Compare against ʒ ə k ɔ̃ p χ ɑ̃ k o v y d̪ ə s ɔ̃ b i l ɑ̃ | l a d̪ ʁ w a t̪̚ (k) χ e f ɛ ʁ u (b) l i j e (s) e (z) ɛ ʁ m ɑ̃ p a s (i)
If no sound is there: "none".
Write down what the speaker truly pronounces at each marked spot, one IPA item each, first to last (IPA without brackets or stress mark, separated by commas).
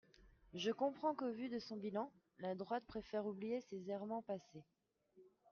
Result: p, b, s, z, e